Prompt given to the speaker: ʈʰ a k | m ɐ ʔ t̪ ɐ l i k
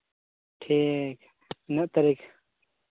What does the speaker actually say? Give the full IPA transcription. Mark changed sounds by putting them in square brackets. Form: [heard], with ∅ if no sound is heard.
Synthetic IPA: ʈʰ [i] k | [n] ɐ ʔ t̪ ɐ [ɾ] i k

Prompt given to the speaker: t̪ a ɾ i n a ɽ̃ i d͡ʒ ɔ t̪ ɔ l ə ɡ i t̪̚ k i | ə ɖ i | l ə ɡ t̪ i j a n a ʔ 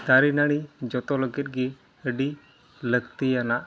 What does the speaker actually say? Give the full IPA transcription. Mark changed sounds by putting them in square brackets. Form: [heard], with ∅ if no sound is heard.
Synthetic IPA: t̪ a ɾ i n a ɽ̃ i d͡ʒ ɔ t̪ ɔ l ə ɡ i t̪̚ [ɡ] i | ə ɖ i | l ə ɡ t̪ i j a n a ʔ

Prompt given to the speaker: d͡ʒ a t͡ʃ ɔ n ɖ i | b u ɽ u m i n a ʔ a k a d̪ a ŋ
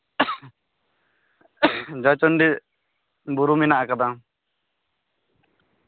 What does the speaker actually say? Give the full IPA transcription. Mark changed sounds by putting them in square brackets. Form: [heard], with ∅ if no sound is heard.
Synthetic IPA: d͡ʒ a t͡ʃ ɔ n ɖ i | b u [ɾ] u m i n a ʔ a k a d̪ a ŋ

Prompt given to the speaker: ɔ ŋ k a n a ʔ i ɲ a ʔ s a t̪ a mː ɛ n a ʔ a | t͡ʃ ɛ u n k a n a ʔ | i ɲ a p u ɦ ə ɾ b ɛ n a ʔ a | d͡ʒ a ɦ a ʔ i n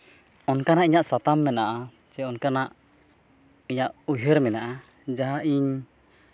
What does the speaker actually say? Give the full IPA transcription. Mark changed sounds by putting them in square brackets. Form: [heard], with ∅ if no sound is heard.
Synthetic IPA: ɔ [n] k a n a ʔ i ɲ a ʔ s a t̪ a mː ɛ n a ʔ a | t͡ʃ ɛ [ɔ] n k a n a ʔ | i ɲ a [ʔ] u ɦ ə ɾ [m] ɛ n a ʔ a | d͡ʒ a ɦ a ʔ i [ɲ]

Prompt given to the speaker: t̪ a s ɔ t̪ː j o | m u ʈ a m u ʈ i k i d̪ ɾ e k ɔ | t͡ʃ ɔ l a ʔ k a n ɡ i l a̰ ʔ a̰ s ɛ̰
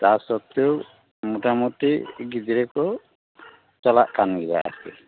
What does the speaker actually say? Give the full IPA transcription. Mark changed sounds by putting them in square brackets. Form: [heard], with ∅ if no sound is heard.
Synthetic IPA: t̪ a s ɔ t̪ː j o | m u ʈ a m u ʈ i [ɡ] i d̪ ɾ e k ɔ | t͡ʃ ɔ l a ʔ k a n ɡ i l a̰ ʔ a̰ s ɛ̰

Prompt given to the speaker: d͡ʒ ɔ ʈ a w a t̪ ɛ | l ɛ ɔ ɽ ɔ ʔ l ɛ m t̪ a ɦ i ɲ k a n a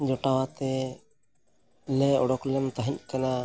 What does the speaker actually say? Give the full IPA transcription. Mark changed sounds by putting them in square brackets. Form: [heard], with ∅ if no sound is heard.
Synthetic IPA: d͡ʒ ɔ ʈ a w a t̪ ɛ | l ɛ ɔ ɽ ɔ [k] l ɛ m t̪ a ɦ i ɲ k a n a

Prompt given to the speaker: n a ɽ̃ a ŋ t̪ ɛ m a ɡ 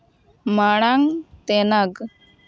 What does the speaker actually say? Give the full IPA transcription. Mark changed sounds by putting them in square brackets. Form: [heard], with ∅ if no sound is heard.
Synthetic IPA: [m] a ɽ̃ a ŋ t̪ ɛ [n] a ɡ

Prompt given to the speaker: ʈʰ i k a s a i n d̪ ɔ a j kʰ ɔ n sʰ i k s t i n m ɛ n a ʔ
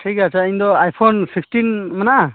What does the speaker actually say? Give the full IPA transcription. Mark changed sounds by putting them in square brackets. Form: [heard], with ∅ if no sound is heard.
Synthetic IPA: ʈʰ i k a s a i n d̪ ɔ a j [pʰ] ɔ n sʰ i k s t i n m [a] n a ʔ

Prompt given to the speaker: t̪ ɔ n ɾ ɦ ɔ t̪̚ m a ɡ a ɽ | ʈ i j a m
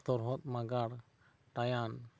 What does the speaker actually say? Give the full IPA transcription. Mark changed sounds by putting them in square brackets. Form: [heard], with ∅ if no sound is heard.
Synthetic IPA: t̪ ɔ [∅] ɾ ɦ ɔ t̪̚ m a ɡ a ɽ | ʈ [a] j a [n]

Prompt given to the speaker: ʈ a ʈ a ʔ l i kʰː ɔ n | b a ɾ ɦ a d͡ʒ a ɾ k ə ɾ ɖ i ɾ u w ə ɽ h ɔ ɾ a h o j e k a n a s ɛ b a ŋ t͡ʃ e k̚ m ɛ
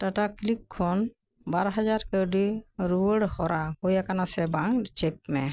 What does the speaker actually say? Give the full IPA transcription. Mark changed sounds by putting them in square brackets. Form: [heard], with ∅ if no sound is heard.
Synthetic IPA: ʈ a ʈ a [k] l i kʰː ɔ n | b a ɾ ɦ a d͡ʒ a ɾ k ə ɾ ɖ i ɾ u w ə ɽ h ɔ ɾ a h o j [a] k a n a s ɛ b a ŋ t͡ʃ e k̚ m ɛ

